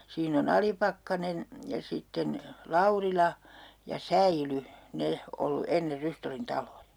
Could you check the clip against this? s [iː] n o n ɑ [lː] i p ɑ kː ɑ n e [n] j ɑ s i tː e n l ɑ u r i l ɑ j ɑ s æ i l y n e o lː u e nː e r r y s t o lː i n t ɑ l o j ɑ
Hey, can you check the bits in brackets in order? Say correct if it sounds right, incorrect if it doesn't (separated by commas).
correct, incorrect, correct